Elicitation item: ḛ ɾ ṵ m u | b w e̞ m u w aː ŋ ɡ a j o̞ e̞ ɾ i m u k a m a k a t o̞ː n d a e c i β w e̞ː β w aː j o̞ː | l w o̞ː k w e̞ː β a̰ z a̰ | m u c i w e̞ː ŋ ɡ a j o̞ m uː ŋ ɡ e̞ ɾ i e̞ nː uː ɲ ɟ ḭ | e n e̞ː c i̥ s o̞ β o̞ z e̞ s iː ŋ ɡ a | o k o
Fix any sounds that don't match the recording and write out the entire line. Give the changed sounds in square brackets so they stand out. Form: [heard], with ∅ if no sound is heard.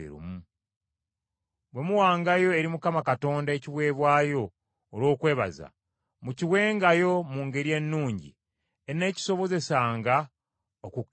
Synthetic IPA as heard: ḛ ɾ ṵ m u | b w e̞ m u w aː ŋ ɡ a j o̞ e̞ ɾ i m u k a m a k a t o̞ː n d a e c i β w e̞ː β w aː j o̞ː | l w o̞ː k w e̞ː β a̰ z a̰ | m u c i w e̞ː ŋ ɡ a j o̞ m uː ŋ ɡ e̞ ɾ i e̞ nː uː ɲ ɟ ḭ | e n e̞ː c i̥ s o̞ β o̞ z e̞ s [aː] ŋ ɡ a | o k [u]